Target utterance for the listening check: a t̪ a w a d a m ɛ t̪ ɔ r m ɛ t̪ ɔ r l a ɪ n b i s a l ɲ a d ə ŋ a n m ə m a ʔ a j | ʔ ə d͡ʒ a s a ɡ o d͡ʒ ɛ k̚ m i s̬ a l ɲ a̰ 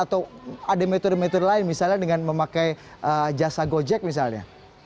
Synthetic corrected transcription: a t̪ a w a d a m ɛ t̪ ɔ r m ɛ t̪ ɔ r l a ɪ n m i s a l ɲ a d ə ŋ a n m ə m a k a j | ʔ ə d͡ʒ a s a ɡ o d͡ʒ ɛ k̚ m i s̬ a l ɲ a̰